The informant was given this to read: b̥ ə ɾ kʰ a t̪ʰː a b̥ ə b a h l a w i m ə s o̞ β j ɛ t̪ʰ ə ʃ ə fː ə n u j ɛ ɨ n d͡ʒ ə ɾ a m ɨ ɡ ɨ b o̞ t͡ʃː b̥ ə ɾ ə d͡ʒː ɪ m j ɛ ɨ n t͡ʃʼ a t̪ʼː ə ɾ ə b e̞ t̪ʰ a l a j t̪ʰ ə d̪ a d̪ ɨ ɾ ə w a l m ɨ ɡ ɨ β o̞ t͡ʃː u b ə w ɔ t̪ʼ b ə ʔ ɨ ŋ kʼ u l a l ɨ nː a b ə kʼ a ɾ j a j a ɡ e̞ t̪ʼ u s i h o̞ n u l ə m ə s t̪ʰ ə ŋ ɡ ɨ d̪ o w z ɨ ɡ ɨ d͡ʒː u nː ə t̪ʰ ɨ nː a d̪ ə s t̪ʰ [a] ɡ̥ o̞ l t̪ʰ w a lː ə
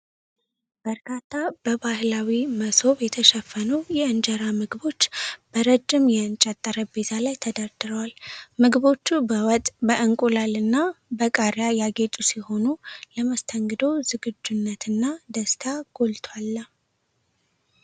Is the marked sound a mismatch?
no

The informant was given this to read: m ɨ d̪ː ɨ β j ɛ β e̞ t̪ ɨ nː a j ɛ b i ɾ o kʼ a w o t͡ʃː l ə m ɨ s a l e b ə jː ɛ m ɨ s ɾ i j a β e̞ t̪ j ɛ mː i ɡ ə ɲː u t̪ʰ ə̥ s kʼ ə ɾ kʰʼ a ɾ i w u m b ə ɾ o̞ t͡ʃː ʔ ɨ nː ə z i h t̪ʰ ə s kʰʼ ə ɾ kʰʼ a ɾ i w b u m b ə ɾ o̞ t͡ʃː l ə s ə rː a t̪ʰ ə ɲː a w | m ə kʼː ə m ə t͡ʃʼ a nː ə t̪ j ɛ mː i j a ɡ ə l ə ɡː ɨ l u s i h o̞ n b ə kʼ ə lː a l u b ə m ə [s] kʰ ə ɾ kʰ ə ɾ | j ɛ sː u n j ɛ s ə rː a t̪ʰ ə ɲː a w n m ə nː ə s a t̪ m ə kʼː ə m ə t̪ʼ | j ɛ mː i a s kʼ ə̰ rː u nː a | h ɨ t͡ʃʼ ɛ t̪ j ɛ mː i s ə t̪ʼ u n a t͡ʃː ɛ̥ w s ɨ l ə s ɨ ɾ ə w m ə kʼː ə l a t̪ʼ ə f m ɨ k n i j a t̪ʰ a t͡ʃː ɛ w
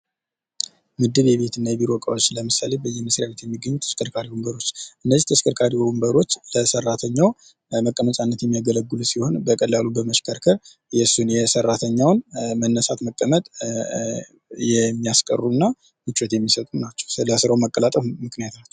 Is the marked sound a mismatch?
yes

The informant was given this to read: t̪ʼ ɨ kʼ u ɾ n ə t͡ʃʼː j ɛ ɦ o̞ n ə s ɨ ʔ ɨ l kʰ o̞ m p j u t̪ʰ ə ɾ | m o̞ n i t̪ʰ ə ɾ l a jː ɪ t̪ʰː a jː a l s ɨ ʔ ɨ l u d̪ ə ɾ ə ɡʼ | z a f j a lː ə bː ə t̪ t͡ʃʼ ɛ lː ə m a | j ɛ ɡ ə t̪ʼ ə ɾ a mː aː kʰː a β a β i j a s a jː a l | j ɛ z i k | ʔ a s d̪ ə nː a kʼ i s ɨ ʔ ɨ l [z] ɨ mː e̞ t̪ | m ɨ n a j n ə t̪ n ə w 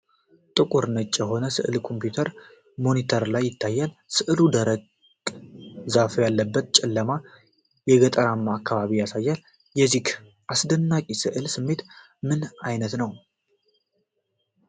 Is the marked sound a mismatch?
yes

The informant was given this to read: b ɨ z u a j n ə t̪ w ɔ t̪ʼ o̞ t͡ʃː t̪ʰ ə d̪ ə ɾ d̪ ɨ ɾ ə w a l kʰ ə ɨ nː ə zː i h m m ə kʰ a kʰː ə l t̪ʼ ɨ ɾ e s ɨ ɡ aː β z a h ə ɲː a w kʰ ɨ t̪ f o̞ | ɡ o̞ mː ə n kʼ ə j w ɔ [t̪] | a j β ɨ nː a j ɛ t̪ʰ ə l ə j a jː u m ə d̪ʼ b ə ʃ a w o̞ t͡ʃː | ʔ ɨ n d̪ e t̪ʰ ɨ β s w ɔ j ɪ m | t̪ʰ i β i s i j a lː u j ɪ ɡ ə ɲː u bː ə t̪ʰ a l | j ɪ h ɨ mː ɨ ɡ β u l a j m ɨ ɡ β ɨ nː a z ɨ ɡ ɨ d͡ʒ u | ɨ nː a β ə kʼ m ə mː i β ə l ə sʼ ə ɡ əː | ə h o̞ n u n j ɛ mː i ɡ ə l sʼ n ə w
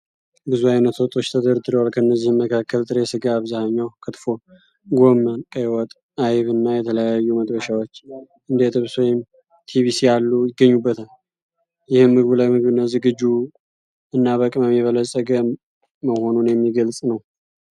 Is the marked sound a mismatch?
yes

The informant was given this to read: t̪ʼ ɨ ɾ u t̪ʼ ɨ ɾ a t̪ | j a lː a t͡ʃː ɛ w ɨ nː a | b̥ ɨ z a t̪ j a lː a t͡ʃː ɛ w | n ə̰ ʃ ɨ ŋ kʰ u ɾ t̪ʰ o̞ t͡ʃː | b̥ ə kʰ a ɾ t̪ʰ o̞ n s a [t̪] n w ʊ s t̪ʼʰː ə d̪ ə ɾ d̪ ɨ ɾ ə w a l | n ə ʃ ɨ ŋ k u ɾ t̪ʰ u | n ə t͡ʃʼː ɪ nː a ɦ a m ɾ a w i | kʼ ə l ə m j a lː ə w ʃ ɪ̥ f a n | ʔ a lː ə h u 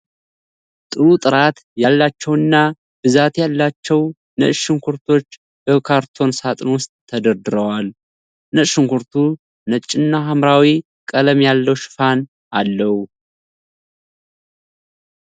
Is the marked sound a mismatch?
yes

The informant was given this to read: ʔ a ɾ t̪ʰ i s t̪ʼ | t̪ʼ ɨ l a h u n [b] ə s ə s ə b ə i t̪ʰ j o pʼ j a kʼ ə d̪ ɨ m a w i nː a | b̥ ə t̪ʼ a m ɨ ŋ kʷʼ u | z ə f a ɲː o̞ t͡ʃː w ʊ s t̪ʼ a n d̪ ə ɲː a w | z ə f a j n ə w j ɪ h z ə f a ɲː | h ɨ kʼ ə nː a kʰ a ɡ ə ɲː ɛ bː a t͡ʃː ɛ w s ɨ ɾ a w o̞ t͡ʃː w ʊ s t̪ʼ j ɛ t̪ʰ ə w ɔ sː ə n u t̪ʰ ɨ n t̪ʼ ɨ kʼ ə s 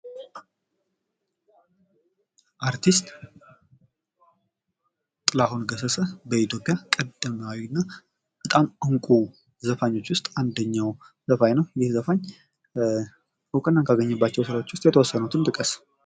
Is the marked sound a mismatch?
yes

